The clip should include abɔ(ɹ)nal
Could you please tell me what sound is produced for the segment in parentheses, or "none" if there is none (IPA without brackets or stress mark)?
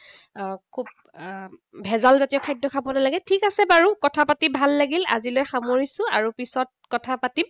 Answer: none